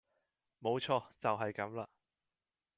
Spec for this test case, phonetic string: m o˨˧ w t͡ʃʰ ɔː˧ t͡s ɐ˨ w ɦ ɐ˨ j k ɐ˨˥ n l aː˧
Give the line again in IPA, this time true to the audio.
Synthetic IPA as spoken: m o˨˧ w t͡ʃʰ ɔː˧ t͡s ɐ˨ w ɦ ɐ˨ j k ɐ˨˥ m l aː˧